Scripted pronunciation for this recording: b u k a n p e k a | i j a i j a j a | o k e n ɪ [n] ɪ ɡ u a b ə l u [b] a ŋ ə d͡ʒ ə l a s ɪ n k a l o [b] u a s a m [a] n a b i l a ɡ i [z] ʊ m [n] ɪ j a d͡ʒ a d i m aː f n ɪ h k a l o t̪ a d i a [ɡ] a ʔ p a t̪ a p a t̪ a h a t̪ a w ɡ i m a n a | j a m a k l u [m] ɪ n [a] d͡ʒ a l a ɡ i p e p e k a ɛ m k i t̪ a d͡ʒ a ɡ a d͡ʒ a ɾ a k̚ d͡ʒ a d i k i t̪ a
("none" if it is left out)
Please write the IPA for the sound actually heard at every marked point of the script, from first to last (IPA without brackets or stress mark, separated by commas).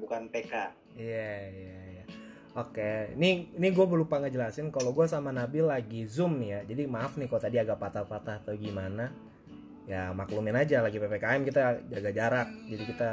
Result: n, p, ɡ, a, z, n, ɡ, m, a